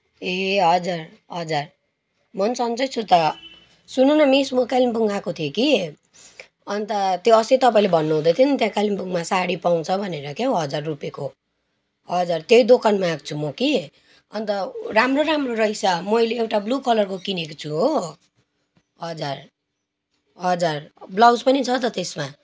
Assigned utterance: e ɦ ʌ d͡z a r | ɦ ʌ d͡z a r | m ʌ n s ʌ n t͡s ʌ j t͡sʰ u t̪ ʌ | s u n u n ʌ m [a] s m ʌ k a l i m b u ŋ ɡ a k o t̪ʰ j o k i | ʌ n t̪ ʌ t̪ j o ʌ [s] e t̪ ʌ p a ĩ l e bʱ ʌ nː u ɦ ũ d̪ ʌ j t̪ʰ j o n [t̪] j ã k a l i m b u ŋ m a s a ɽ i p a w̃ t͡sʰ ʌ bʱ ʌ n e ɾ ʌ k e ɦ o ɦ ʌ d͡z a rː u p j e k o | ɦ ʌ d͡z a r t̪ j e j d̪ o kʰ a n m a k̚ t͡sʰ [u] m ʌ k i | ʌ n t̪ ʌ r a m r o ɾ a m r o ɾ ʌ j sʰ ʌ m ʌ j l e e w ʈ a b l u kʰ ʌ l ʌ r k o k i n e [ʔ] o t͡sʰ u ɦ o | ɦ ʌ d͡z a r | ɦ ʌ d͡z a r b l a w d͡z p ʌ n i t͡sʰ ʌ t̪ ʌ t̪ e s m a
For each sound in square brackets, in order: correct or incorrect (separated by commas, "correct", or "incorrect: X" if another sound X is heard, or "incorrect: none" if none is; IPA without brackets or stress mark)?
incorrect: i, correct, correct, correct, incorrect: k